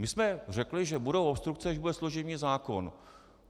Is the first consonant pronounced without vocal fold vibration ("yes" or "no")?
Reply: no